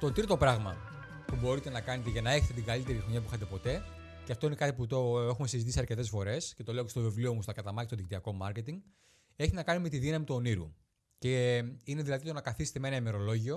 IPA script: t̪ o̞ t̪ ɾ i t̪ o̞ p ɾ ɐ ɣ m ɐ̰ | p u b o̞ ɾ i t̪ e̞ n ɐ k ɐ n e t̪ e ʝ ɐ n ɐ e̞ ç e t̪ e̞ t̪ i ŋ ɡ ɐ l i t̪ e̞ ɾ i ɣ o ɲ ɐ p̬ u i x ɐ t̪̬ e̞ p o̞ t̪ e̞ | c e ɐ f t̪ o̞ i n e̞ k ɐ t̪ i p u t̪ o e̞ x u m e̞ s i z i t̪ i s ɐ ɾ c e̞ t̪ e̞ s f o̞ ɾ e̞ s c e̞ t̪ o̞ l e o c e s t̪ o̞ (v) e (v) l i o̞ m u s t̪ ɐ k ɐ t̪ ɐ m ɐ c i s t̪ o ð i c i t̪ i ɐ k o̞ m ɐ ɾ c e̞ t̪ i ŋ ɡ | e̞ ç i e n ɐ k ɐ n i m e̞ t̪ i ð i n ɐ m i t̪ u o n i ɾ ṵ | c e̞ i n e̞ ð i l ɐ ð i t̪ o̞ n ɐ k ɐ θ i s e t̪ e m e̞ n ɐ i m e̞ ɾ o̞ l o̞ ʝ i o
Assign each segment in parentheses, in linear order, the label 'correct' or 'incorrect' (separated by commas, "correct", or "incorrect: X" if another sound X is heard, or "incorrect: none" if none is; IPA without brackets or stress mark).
correct, correct